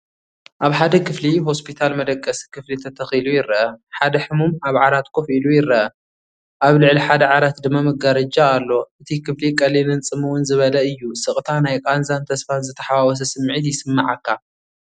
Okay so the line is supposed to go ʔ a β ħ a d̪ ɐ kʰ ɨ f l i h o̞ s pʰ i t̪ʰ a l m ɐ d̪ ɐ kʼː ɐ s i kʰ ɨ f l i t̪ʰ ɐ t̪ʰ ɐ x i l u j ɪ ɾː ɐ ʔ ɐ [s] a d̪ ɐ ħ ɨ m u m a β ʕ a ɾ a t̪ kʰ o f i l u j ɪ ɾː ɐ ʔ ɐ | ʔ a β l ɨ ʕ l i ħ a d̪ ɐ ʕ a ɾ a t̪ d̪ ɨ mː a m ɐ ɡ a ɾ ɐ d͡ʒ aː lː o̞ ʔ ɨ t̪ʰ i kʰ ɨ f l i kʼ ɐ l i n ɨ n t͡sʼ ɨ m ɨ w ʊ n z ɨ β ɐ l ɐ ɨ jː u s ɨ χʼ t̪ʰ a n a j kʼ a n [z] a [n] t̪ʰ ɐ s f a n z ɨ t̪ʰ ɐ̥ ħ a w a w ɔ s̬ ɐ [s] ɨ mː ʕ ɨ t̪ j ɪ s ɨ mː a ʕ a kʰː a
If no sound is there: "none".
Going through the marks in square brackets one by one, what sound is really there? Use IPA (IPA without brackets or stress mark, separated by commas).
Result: ħ, z, n, s